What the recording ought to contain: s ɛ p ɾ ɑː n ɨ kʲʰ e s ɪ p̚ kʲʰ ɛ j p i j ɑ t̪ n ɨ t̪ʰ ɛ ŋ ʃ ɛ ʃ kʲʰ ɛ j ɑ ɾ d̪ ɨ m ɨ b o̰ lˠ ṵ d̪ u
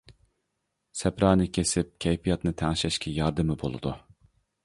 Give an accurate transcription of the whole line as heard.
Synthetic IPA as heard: s ɛ p ɾ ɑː n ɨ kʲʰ e s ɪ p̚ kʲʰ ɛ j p i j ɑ t̪ n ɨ t̪ʰ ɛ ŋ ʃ ɛ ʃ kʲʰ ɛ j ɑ ɾ d̪ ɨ m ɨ b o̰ lˠ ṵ d̪ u